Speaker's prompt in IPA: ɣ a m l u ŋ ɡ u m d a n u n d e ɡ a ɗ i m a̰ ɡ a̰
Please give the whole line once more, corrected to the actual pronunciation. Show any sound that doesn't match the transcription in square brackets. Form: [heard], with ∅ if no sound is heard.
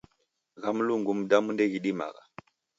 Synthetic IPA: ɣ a m l u ŋ ɡ u m d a [m] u n d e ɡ [i] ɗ i m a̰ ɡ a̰